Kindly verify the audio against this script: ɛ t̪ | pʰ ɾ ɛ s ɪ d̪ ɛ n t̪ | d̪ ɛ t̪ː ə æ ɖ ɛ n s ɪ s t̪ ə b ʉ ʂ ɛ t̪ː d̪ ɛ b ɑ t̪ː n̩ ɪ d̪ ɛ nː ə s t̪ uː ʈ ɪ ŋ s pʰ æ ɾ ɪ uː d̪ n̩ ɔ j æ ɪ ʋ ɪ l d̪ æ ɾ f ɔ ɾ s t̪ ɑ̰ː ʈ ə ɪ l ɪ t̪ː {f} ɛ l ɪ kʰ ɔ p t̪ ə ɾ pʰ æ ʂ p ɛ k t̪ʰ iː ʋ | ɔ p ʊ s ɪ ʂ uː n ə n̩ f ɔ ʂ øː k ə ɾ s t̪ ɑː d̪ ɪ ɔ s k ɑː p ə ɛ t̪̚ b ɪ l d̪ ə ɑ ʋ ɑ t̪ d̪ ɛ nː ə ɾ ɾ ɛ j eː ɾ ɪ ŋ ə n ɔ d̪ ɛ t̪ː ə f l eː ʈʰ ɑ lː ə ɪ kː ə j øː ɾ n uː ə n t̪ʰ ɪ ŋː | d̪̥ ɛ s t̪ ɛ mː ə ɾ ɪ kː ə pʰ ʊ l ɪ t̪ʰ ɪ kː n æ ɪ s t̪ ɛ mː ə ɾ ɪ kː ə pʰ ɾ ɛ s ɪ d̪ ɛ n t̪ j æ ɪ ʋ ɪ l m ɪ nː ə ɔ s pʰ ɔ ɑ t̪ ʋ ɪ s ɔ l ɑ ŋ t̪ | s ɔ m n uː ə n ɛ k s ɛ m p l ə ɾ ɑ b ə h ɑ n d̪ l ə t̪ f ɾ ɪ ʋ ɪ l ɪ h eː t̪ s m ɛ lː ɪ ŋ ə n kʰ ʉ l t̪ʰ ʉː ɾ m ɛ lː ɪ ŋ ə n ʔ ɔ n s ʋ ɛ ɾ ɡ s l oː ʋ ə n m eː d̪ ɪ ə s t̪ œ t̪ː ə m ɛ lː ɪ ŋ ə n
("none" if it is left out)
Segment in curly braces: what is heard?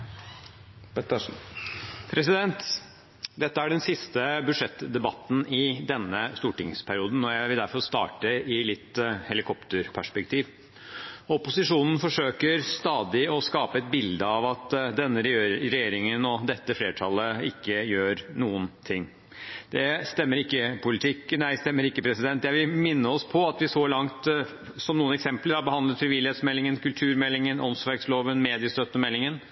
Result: h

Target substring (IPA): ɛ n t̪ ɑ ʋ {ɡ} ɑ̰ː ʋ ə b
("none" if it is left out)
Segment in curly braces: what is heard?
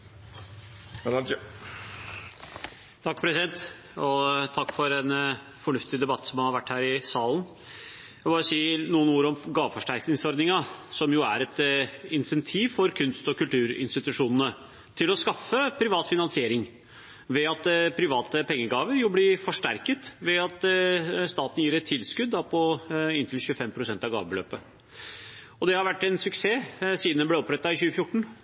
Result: ɡ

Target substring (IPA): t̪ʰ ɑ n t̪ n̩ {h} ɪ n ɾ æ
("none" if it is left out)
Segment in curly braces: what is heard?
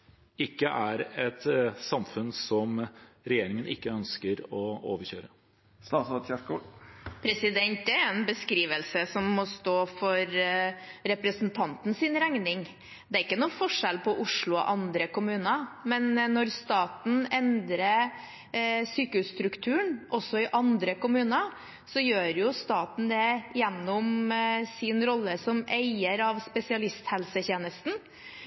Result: s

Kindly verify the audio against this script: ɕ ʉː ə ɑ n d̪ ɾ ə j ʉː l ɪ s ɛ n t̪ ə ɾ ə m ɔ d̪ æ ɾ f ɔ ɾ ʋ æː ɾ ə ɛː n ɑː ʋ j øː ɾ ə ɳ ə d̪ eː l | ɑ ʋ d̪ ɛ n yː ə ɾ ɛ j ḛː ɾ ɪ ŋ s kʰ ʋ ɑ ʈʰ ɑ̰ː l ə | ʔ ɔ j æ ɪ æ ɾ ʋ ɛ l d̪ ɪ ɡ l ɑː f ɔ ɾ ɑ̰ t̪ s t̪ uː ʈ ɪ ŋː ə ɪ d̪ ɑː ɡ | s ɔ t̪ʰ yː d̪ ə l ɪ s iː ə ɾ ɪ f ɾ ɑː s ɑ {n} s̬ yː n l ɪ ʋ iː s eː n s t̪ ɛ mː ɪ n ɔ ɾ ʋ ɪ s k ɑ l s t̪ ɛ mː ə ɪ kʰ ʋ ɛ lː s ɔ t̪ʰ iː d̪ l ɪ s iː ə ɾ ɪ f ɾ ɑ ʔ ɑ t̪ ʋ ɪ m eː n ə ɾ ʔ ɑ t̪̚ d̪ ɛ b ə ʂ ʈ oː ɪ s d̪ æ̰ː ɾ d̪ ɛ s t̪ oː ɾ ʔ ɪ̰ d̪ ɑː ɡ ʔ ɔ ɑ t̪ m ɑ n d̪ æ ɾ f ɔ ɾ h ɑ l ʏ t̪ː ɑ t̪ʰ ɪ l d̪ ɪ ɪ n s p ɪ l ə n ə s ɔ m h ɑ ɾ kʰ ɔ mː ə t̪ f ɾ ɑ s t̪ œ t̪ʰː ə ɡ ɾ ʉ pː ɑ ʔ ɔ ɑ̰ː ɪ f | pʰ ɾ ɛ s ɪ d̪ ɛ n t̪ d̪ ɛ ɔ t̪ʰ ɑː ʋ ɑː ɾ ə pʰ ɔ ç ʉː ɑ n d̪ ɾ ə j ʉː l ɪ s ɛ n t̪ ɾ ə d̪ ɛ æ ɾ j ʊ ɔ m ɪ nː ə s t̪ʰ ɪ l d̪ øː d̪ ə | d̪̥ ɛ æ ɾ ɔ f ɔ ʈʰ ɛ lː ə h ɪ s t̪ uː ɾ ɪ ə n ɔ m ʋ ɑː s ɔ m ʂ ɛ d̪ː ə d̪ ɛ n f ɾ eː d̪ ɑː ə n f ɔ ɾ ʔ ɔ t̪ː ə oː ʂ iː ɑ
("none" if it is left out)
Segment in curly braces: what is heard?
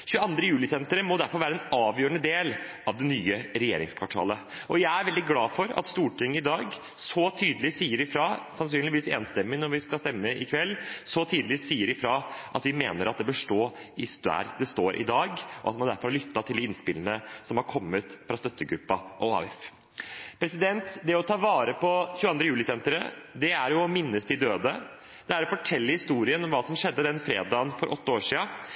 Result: n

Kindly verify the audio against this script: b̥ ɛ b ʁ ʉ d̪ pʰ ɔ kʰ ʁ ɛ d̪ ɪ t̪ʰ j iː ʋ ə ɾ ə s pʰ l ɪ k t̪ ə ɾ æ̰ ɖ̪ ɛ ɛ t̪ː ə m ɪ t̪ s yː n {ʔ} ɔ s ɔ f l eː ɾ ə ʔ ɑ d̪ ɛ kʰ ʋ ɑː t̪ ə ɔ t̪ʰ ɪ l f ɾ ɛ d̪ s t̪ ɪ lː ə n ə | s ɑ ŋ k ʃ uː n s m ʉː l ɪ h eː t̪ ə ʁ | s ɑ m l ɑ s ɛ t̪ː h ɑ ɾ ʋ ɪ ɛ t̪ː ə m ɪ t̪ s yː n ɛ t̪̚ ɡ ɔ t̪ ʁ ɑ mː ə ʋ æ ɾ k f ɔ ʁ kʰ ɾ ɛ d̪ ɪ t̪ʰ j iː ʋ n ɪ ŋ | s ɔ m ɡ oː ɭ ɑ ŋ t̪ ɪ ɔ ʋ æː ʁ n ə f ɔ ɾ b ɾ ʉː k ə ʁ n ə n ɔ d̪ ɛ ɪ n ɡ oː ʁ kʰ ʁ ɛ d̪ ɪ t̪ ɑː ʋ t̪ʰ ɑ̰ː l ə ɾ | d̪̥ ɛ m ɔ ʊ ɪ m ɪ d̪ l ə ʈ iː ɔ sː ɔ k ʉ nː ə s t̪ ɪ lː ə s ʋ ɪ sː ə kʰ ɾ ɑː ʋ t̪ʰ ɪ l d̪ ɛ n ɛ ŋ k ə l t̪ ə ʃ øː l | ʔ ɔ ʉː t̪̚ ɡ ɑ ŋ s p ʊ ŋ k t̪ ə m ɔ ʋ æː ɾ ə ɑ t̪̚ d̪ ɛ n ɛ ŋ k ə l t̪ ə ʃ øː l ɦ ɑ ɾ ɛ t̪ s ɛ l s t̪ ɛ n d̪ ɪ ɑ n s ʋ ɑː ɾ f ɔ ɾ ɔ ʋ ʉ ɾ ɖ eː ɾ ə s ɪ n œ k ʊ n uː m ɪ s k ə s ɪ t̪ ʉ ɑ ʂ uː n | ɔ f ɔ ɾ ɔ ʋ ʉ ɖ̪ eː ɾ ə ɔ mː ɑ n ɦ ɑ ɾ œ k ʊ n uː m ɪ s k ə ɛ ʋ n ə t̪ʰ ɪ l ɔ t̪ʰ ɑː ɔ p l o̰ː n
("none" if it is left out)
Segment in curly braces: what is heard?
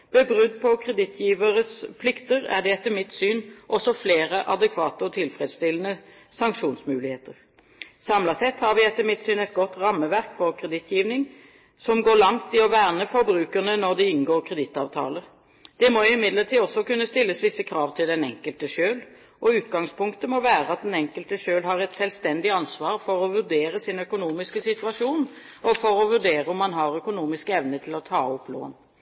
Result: ʔ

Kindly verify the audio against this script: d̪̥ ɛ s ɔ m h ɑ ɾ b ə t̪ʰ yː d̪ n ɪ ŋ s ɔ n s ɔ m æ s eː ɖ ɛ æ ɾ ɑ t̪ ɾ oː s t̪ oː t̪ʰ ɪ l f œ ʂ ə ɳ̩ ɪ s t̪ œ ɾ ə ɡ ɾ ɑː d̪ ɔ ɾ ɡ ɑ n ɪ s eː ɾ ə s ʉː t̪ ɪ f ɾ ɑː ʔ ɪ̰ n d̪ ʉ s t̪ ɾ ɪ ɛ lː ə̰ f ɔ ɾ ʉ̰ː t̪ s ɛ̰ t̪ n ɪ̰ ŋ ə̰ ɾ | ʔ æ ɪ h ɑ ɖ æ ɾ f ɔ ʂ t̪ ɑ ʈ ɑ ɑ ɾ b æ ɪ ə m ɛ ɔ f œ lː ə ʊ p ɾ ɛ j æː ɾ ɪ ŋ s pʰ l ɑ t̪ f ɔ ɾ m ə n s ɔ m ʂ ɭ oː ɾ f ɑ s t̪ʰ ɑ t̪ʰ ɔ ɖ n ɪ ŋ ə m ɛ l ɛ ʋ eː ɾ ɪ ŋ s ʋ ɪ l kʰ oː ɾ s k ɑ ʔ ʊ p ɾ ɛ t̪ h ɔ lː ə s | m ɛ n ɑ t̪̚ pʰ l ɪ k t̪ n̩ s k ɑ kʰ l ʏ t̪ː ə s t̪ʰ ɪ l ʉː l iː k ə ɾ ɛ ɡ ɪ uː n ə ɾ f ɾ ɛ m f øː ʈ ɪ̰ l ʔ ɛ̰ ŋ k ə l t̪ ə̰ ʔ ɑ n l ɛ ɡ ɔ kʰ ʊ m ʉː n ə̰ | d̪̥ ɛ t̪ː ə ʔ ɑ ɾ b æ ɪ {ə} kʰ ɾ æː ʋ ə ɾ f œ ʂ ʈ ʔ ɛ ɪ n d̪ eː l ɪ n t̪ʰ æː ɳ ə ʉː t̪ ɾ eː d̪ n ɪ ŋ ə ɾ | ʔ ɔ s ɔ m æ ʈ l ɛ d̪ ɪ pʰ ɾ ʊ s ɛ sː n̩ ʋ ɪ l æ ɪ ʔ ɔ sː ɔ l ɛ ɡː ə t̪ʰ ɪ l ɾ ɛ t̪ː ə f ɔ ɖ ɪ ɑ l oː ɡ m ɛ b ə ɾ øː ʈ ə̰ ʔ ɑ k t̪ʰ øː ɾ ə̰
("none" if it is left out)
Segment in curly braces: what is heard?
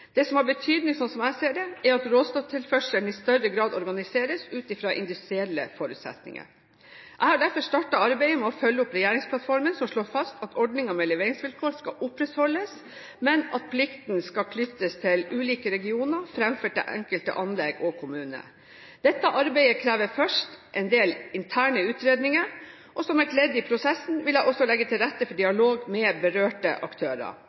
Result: ə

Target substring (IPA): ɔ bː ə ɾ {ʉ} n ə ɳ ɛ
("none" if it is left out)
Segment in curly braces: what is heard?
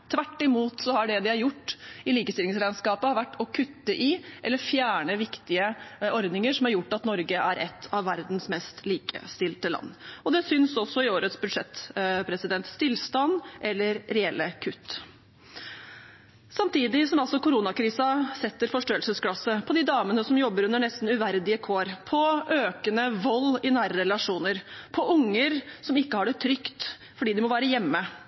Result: ʉ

